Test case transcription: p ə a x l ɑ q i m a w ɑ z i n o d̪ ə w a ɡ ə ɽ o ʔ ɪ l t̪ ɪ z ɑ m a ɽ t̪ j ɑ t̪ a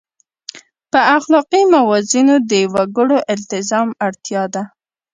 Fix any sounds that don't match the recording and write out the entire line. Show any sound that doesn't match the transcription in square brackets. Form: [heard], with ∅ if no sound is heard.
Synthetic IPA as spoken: p ə a x l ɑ q i m a w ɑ z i n o d̪ ə w a ɡ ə ɽ o ʔ ɪ l t̪ ɪ z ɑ m a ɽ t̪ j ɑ [d̪] a